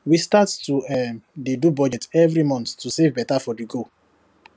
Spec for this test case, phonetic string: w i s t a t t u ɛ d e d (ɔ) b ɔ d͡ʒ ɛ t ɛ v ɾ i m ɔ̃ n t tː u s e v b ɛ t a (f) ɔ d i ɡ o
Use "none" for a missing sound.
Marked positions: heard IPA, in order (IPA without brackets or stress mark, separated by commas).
u, f